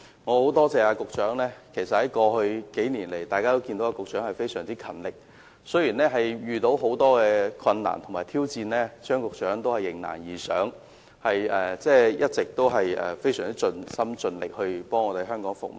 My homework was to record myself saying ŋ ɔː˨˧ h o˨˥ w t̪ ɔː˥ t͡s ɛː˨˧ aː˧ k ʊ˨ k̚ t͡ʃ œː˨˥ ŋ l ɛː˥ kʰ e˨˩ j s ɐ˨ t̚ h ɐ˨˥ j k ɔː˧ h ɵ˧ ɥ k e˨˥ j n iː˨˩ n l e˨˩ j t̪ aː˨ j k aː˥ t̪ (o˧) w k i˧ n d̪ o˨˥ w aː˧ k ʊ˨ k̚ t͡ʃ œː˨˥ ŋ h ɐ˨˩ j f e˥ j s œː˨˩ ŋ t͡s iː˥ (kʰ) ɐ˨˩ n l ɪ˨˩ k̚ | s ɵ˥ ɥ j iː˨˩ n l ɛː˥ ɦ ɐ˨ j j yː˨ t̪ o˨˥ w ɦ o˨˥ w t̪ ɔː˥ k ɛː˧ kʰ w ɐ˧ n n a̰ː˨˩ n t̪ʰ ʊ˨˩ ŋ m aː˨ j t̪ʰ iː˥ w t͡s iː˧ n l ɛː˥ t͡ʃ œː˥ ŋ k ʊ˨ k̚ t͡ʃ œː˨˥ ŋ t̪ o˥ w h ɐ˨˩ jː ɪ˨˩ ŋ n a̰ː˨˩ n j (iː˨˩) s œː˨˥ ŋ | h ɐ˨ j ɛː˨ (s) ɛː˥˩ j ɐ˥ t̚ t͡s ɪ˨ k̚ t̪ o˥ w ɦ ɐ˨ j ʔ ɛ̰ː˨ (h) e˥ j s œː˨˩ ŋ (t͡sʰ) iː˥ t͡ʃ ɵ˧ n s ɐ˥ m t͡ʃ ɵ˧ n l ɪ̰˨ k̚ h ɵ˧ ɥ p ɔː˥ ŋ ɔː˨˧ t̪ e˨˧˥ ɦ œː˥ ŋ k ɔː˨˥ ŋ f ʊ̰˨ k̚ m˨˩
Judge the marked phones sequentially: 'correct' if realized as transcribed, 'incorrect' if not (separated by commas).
incorrect, correct, correct, incorrect, incorrect, incorrect